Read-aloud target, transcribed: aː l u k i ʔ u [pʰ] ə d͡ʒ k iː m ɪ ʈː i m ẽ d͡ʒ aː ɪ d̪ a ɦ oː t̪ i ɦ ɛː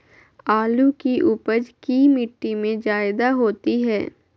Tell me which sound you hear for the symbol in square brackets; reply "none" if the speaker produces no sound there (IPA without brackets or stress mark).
p